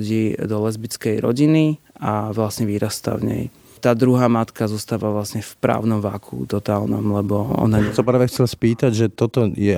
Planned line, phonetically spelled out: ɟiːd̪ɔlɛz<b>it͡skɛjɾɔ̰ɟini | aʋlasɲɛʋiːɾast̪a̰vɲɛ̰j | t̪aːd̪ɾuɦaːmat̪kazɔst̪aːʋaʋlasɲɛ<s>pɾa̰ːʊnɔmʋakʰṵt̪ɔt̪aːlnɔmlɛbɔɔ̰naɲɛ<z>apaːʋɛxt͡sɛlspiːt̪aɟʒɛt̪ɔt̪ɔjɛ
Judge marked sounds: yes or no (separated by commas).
yes, no, no